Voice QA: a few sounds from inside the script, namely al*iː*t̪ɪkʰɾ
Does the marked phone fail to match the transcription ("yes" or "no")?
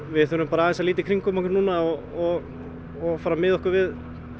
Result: no